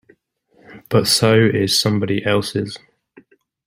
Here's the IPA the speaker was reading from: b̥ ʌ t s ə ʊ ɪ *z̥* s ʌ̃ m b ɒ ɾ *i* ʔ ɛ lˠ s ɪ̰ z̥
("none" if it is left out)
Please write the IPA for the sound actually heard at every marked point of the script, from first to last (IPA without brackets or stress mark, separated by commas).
z̥, i